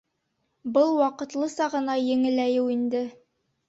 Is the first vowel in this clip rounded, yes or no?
no